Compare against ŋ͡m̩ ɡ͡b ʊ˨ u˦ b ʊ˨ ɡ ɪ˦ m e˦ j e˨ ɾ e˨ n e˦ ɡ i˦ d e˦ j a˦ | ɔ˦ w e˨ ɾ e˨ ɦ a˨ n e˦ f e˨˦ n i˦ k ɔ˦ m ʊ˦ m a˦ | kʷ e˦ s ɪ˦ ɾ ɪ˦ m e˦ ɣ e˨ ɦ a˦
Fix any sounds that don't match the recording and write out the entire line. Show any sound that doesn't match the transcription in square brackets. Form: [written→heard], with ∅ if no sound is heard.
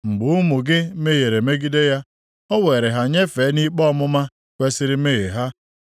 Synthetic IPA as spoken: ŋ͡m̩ ɡ͡b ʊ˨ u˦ [b→m] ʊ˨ ɡ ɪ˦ m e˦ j e˨ ɾ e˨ [n→m] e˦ ɡ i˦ d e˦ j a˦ | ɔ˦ w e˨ ɾ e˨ ɦ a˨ [n→ɲ] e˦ f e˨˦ n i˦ [k→k͡p] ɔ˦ m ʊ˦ m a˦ | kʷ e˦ s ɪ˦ ɾ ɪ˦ m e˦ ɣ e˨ ɦ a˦